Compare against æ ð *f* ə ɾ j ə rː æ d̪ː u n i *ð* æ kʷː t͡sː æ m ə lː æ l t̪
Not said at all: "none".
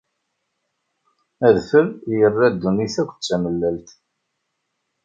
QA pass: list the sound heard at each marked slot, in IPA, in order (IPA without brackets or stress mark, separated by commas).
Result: f, θ